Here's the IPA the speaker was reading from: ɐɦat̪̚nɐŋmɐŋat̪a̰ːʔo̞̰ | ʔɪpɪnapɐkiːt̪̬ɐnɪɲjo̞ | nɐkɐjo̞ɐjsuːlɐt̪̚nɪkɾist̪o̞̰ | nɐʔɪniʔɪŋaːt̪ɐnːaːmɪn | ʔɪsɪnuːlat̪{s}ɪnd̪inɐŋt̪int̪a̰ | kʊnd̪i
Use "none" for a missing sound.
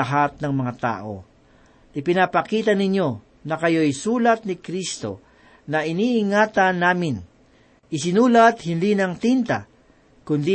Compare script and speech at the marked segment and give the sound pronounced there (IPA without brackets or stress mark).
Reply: h